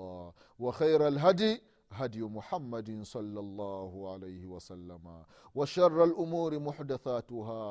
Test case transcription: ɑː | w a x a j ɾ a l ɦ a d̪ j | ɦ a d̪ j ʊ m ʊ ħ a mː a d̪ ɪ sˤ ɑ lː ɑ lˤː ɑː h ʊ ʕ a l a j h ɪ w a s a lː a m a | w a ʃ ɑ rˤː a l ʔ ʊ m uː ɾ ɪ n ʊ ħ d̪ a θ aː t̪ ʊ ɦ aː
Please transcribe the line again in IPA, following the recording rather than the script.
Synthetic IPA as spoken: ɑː | w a x a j ɾ a l ɦ a d̪ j | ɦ a d̪ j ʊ m ʊ ħ a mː a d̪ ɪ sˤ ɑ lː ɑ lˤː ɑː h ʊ ʕ a l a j h ɪ w a s a lː a m a | w a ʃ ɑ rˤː a l ʔ ʊ m uː ɾ ɪ m ʊ ħ d̪ a θ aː t̪ ʊ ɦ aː